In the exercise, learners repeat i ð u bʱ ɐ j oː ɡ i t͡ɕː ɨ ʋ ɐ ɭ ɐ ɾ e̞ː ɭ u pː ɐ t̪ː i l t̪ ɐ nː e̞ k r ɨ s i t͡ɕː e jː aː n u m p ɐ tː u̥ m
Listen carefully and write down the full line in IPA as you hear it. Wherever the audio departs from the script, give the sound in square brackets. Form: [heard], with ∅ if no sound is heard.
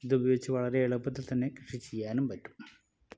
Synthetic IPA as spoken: i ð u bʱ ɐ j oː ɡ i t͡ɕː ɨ ʋ ɐ ɭ ɐ ɾ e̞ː ɭ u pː ɐ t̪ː i l t̪ ɐ nː e̞ k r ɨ [ʂ] i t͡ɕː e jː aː n u m p ɐ tː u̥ m